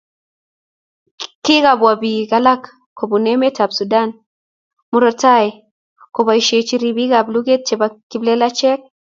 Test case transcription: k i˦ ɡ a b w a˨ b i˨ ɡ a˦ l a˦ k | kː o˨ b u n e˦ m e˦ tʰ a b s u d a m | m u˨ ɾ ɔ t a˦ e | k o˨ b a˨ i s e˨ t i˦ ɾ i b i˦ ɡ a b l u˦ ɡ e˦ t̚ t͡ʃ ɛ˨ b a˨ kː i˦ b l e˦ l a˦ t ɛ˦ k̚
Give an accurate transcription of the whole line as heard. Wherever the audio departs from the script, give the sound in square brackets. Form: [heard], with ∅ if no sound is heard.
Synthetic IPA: k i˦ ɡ a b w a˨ b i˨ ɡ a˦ l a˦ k | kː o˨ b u n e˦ m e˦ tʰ a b s u d a [n] | m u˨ ɾ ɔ t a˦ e | k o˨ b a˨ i [ʃ] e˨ [t͡ʃ] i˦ ɾ i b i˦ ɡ a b l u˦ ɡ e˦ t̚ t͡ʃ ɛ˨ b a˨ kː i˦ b l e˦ l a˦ [t͡ʃ] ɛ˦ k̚